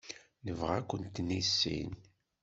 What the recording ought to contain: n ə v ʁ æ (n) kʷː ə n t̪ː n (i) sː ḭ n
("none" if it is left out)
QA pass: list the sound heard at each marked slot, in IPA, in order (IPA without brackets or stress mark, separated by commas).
none, i